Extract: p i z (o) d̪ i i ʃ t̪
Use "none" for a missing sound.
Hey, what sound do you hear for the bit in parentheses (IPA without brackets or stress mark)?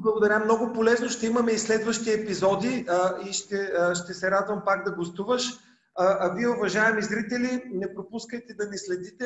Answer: ɔ